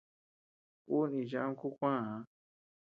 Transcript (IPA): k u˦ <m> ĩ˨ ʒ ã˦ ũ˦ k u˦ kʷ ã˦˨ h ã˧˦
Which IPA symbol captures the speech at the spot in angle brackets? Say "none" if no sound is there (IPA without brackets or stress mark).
n